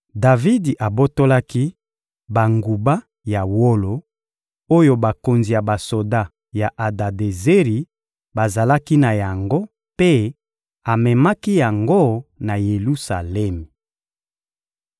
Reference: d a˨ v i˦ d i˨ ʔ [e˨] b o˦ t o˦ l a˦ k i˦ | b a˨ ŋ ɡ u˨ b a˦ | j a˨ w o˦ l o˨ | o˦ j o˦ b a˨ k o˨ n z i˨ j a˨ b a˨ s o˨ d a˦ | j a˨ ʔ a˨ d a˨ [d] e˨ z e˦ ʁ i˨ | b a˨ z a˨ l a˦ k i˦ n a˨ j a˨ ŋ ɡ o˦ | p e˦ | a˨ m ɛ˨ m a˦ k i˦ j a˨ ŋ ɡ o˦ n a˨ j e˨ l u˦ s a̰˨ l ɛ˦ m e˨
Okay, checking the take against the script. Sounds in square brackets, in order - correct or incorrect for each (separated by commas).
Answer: incorrect, correct